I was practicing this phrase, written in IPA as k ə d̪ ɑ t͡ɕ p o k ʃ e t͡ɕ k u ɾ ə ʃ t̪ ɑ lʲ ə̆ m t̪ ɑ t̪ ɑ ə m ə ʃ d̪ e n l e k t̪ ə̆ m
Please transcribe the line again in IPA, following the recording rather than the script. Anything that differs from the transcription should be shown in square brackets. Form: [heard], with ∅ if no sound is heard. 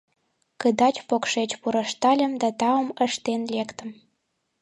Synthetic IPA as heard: k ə d̪ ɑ t͡ɕ p o k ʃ e t͡ɕ [p] u ɾ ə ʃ t̪ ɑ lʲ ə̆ m [d̪] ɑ t̪ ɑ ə m ə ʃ [t̪] e n l e k t̪ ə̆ m